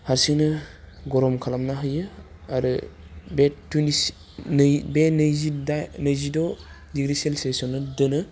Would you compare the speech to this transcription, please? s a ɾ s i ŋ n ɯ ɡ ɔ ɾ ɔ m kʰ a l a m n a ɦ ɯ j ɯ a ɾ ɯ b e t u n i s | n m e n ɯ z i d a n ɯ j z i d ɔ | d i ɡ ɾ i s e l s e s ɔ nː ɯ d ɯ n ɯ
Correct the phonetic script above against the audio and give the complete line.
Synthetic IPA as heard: h a ɾ s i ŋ n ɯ ɡ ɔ ɾ ɔ m kʰ a l a m n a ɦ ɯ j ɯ a ɾ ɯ b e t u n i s | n b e n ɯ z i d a n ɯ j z i d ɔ | d i ɡ ɾ i s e l s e s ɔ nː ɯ d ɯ n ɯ